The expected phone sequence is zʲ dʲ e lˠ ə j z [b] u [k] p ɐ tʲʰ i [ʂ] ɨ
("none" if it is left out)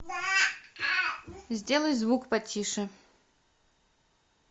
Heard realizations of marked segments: v, k, ʂ

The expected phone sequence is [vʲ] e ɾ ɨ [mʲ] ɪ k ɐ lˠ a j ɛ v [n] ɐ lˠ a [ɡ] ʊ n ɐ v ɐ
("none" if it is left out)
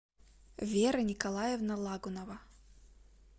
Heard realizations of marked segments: vʲ, nʲ, n, ɡ

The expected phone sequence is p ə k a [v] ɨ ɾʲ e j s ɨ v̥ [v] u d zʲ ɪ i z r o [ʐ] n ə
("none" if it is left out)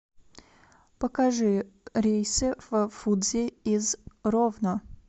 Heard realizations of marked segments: ʐ, f, v

